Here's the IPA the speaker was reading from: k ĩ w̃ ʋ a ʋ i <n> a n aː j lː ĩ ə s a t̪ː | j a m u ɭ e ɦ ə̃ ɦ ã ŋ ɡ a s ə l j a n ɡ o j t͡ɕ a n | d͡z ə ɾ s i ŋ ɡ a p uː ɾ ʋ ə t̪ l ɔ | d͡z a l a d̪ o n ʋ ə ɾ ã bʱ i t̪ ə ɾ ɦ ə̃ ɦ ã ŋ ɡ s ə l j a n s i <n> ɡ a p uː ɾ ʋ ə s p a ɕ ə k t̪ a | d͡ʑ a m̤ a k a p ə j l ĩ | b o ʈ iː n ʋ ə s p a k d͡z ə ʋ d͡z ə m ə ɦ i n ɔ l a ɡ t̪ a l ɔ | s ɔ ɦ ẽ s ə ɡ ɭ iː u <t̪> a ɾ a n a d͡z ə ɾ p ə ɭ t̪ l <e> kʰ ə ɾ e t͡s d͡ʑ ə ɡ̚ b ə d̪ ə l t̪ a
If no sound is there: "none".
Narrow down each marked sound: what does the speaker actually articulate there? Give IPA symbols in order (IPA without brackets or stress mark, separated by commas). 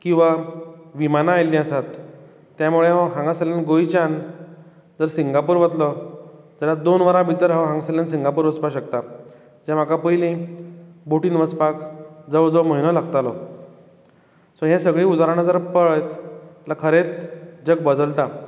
m, ŋ, d̪, a